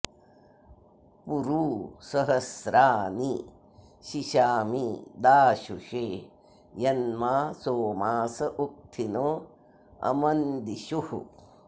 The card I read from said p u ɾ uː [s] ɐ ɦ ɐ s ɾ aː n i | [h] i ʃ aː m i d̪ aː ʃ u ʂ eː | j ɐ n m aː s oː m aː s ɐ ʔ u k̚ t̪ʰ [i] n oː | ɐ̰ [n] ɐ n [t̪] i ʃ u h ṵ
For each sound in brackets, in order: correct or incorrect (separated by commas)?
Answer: correct, incorrect, correct, incorrect, incorrect